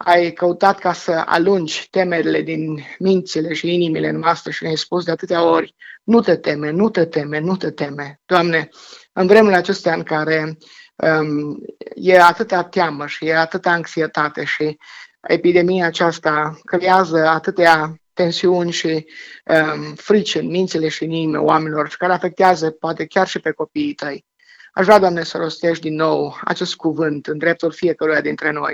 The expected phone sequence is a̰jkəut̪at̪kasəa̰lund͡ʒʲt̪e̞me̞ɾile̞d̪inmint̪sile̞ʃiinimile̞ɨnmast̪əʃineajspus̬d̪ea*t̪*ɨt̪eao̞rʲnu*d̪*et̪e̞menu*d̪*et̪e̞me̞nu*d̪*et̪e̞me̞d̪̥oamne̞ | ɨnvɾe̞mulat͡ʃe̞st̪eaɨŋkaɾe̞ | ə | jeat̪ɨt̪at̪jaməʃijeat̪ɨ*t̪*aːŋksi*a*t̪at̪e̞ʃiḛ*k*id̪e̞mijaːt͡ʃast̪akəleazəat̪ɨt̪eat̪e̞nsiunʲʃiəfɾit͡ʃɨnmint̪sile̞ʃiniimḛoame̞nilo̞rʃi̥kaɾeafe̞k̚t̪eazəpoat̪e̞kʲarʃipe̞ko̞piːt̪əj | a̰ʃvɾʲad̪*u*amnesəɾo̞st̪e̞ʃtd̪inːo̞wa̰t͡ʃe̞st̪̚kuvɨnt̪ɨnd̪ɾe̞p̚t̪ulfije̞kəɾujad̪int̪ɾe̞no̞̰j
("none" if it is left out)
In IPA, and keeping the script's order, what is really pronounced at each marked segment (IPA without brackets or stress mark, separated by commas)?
t̪, t̪, t̪, t̪, t̪, e, p, o